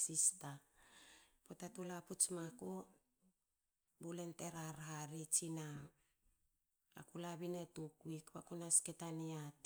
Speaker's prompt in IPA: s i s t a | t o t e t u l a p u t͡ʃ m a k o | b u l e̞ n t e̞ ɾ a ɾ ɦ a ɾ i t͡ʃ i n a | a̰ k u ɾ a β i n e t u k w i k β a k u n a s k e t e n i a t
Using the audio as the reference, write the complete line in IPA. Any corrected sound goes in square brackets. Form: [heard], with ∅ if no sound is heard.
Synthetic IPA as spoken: s i s t a | [p] o t [a] t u l a p u t͡ʃ m a k o | b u l e̞ n t e̞ ɾ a ɾ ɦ a ɾ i t͡ʃ i n a | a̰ k u [l] a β i n e t u k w i k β a k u n a s k e t [a] n i a t

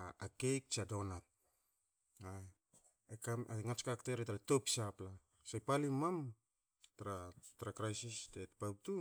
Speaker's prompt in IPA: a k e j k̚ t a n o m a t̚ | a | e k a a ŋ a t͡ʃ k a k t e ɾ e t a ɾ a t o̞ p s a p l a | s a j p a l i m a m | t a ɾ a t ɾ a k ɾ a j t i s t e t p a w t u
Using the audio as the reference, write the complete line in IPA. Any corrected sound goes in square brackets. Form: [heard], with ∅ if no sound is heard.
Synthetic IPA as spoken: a k e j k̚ [t͡ʃ] a [d] o [n] a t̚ | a | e k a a ŋ a t͡ʃ k a k t e ɾ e t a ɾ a t o̞ p s a p l a | s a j p a l i m a m | t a ɾ a t ɾ a k ɾ a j [s] i s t e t p a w t u

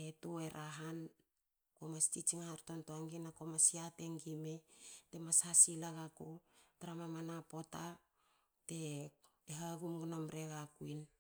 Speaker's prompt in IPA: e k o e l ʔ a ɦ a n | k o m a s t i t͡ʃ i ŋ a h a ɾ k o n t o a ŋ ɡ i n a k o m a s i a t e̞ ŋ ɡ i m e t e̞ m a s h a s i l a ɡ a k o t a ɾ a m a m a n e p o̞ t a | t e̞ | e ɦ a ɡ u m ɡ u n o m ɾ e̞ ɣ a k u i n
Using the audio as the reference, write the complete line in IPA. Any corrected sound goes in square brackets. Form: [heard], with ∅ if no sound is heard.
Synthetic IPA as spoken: e [t] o e [ɾ] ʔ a ɦ a n | k o m a s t i t͡ʃ i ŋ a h a ɾ [t] o n t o a ŋ ɡ i n a k o m a s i a t e̞ ŋ ɡ i m e t e̞ m a s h a s i l a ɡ a k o t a ɾ a m a m a n [a] p o̞ t a | t e̞ | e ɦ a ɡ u m ɡ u n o m ɾ e̞ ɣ a k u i n

